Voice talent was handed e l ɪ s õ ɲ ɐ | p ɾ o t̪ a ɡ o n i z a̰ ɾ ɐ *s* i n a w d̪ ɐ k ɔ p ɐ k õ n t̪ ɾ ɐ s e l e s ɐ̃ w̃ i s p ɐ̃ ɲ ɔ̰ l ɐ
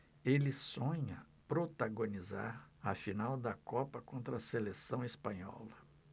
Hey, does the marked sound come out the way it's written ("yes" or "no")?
no